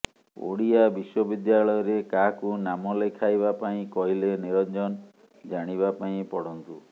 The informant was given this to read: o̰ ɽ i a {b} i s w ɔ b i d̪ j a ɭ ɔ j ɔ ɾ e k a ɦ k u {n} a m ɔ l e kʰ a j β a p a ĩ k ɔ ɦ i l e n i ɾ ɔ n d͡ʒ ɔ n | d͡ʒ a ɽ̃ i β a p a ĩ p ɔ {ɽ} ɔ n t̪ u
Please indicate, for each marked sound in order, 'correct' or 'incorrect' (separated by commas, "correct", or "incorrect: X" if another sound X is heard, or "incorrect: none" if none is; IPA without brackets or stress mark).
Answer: correct, correct, correct